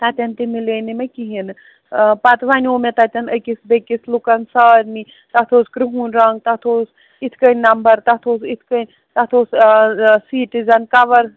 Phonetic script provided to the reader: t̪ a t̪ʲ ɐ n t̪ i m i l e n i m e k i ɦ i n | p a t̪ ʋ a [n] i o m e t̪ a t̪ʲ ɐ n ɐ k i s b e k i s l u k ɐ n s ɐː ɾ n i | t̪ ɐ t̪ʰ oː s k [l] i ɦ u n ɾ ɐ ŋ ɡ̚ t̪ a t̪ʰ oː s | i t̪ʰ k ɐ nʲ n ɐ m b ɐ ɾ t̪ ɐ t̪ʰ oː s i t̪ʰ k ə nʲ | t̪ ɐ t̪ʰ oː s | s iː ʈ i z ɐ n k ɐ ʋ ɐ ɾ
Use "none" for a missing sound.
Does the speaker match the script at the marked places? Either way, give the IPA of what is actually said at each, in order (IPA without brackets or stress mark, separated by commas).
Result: n, ɾ